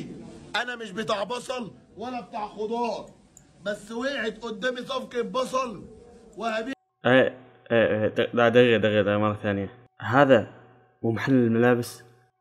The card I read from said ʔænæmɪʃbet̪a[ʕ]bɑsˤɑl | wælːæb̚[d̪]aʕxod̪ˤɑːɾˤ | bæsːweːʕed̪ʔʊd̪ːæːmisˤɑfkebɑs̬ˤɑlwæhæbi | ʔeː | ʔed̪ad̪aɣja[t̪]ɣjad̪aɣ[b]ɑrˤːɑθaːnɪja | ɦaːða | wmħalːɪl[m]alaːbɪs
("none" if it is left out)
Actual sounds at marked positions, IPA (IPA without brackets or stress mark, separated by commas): ʕ, t̪, d̪, m, m